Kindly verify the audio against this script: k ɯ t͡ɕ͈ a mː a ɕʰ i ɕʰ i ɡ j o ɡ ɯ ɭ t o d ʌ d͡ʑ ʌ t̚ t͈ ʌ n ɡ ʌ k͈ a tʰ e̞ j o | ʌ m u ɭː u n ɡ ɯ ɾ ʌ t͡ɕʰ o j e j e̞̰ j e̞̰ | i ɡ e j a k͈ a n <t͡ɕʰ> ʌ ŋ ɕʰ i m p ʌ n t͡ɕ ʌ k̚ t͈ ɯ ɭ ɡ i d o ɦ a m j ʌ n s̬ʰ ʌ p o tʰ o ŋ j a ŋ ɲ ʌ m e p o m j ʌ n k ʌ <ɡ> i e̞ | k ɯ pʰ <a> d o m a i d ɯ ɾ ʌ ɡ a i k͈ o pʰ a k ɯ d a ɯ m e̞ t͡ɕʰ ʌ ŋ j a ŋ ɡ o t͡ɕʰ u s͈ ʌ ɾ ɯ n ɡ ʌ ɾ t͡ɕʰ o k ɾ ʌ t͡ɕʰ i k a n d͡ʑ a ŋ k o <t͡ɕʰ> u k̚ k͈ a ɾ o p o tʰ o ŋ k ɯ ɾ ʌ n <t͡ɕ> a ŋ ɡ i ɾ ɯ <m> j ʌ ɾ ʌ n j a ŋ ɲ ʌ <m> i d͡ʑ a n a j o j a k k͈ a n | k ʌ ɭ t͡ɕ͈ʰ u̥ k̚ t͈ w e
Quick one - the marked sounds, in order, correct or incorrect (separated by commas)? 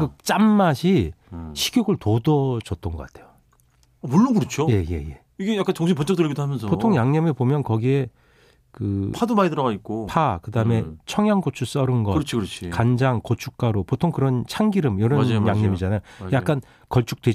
incorrect, correct, correct, correct, incorrect, correct, correct